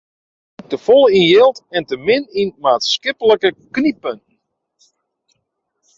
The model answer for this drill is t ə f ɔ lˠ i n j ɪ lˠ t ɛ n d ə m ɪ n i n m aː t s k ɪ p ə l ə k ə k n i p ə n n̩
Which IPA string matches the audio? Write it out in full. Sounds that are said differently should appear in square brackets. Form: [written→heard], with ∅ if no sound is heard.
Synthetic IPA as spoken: t ə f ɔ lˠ i n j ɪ lˠ t ɛ n [d→t] ə m ɪ n i n m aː t s k ɪ p ə l ə k ə k n i p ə n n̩